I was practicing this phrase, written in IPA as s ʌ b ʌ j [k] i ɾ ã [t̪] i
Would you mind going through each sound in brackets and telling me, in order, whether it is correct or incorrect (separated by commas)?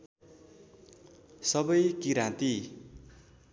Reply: correct, correct